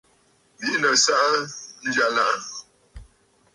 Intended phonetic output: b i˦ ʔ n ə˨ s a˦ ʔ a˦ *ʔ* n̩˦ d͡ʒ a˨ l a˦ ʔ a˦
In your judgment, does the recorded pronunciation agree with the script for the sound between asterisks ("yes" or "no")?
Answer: no